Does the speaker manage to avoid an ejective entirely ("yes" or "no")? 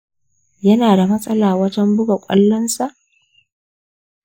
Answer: no